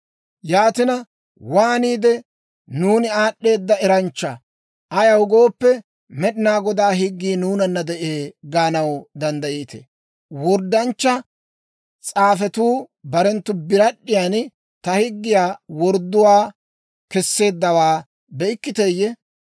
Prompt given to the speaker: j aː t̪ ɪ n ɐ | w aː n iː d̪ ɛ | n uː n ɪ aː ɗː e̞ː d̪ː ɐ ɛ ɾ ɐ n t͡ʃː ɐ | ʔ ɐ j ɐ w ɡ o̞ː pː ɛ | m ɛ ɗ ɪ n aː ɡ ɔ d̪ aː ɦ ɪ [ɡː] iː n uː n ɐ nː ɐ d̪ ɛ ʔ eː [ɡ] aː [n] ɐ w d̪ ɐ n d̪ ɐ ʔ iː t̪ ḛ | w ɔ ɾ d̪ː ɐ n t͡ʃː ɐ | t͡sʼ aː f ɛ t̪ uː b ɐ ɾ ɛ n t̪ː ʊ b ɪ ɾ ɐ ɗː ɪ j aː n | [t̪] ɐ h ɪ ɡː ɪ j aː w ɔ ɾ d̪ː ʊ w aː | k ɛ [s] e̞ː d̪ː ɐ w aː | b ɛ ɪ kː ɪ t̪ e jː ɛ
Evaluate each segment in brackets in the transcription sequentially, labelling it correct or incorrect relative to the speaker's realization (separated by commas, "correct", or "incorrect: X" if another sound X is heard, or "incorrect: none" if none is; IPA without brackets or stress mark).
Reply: correct, correct, correct, correct, incorrect: sː